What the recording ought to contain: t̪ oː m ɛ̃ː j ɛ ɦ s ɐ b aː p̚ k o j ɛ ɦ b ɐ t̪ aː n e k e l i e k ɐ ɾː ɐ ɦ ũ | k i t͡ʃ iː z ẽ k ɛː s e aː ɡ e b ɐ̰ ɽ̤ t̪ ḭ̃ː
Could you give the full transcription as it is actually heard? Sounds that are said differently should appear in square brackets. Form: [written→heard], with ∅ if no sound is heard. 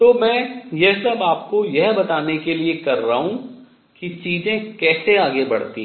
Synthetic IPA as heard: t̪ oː m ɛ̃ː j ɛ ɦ s ɐ b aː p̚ k o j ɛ ɦ b ɐ t̪ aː n e k e l i e k ɐ ɾː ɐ ɦ ũ | k i t͡ʃ iː z ẽ k ɛː s e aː ɡ e b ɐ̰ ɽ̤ t̪ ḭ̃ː